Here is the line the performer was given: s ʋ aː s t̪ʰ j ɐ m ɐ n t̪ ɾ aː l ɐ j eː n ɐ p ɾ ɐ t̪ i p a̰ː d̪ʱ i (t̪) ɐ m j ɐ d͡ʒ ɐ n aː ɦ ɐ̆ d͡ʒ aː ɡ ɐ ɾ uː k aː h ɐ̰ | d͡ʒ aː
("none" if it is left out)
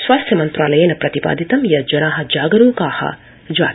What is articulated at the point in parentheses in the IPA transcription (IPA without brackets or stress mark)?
t̪